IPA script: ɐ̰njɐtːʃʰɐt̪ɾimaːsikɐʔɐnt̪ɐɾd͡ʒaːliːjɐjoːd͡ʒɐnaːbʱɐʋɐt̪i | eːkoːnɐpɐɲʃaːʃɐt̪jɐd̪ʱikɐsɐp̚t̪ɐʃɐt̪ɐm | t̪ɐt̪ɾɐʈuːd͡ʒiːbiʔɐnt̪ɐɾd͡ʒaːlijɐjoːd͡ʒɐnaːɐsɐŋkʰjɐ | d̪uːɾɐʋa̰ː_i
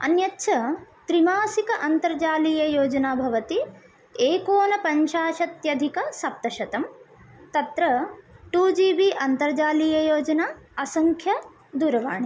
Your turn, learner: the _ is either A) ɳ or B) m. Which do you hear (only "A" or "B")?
A